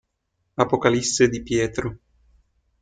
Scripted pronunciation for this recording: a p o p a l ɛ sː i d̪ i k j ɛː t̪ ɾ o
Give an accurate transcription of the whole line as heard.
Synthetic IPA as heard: a p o k a l i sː e d̪ i p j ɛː t̪ ɾ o